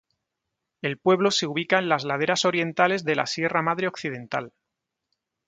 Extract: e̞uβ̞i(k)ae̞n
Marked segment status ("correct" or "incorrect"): correct